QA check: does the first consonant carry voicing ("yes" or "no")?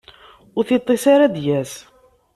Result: yes